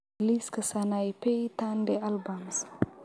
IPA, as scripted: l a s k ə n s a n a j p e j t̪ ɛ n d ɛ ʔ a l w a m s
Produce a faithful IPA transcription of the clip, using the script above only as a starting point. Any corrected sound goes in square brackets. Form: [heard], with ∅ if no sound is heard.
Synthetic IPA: l [i] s k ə [∅] s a n a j p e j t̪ [a] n d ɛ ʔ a l [b] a m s

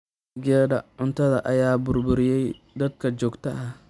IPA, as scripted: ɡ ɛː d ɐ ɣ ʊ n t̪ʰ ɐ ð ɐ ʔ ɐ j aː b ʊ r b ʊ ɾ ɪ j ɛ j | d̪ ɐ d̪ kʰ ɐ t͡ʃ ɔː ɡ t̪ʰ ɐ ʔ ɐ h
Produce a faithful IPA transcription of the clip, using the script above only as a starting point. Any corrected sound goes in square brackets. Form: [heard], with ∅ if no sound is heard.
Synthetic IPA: ɡ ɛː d ɐ [ʕ] ʊ n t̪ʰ ɐ ð ɐ ʔ ɐ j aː b ʊ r b ʊ ɾ ɪ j ɛ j | d̪ ɐ d̪ kʰ ɐ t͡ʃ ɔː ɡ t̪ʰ ɐ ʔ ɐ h

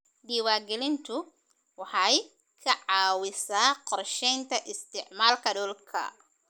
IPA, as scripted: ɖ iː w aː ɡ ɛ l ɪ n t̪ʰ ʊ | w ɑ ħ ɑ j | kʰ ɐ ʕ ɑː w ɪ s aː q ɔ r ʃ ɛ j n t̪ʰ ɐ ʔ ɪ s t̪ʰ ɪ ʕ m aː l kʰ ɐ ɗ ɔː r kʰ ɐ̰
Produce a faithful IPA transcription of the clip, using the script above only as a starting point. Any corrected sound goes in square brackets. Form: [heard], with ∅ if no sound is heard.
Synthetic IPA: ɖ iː w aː ɡ ɛ l ɪ n t̪ʰ ʊ | w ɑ ħ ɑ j | kʰ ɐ ʕ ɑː w ɪ s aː q ɔ r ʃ ɛ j n t̪ʰ ɐ ʔ ɪ s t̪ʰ ɪ ʕ m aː l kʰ ɐ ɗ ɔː [l] kʰ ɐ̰

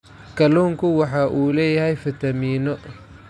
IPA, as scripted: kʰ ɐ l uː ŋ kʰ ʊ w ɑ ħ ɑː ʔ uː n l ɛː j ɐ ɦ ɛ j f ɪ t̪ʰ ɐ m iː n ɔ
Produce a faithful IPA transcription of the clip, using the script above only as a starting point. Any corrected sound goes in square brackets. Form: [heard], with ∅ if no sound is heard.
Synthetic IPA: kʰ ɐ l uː ŋ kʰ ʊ w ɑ ħ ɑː ʔ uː [∅] l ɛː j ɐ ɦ ɛ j f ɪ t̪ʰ ɐ m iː n ɔ

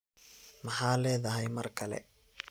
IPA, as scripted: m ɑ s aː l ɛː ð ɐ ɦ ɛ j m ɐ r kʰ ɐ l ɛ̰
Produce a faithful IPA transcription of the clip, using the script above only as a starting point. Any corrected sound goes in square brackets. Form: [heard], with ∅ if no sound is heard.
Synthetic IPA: m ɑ [ħ] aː l ɛː ð ɐ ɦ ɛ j m ɐ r kʰ ɐ l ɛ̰

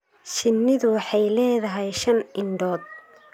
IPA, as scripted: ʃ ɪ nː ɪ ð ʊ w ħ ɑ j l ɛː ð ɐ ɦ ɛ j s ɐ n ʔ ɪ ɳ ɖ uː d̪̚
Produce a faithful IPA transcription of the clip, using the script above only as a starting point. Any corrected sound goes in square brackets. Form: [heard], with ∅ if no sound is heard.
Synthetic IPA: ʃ ɪ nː ɪ ð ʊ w ħ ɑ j l ɛː ð ɐ ɦ ɛ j [ʃ] ɐ n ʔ ɪ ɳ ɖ [ɔː] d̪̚

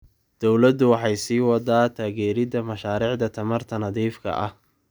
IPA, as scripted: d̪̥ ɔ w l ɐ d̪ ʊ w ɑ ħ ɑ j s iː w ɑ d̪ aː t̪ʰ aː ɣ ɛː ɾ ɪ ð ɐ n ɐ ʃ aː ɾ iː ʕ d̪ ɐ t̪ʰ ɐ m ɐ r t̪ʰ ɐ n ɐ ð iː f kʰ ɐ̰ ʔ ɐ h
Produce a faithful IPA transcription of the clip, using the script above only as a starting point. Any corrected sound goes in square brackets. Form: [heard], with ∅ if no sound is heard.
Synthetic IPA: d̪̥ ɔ w l ɐ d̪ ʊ w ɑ ħ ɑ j s iː w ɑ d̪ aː t̪ʰ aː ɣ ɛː ɾ ɪ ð ɐ [m] ɐ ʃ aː ɾ iː ʕ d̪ ɐ t̪ʰ ɐ m ɐ r t̪ʰ ɐ n ɐ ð iː f kʰ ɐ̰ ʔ ɐ h

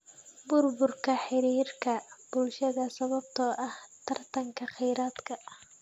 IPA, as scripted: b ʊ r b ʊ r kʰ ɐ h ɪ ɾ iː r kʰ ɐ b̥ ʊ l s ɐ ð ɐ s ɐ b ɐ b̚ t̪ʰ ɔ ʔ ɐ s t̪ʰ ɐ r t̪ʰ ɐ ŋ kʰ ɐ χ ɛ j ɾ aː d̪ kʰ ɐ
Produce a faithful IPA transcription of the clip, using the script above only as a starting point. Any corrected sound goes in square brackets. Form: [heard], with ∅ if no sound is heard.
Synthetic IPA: b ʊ r b ʊ r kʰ ɐ [ħ] ɪ ɾ iː r kʰ ɐ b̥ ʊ l [ʃ] ɐ ð ɐ s ɐ [β] ɐ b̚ t̪ʰ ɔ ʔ ɐ [h] t̪ʰ ɐ r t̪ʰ ɐ ŋ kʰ ɐ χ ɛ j ɾ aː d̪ kʰ ɐ

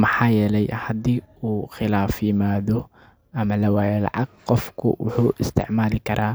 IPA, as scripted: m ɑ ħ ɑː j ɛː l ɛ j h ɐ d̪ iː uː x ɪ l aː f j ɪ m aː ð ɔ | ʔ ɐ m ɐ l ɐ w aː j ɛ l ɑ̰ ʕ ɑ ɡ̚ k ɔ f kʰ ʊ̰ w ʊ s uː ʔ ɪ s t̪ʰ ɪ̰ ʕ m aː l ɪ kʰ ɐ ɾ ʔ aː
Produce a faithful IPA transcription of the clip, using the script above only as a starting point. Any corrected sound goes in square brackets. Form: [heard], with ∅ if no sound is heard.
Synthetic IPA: m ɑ ħ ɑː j ɛː l ɛ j h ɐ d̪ iː uː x ɪ l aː f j ɪ m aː ð ɔ | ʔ ɐ m ɐ l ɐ w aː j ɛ l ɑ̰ ʕ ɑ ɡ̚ [q] ɔ f kʰ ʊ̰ w ʊ [ħ] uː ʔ ɪ s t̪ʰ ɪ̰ ʕ m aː l ɪ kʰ ɐ ɾ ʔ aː

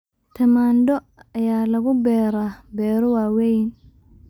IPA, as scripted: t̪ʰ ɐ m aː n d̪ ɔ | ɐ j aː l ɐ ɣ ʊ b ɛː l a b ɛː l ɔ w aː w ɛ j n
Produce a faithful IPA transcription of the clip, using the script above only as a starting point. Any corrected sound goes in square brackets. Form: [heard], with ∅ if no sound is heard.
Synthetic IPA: t̪ʰ ɐ m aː n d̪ ɔ | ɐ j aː l ɐ ɣ ʊ b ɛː [ɾ] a b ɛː [ɾ] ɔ w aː w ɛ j n

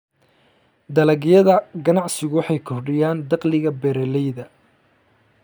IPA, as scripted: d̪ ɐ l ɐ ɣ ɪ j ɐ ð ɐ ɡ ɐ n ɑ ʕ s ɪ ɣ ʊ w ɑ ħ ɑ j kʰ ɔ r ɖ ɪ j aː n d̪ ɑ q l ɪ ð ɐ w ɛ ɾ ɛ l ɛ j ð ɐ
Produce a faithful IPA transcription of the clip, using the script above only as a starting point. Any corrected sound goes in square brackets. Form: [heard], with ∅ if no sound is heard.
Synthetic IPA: d̪ ɐ l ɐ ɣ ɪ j ɐ ð ɐ ɡ ɐ n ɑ ʕ s ɪ ɣ ʊ w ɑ ħ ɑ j kʰ ɔ r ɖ ɪ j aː n d̪ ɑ q l ɪ [ɣ] ɐ [b] ɛ ɾ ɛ l ɛ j ð ɐ

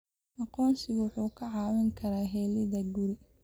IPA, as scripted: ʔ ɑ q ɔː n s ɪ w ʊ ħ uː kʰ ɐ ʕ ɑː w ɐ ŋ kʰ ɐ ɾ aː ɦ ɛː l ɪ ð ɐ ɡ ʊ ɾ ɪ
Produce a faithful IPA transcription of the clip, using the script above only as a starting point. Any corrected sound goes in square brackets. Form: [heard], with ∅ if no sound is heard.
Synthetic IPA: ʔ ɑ q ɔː n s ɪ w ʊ ħ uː kʰ ɐ ʕ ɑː w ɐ ŋ kʰ ɐ ɾ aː ɦ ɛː l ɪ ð ɐ ɡ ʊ ɾ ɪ

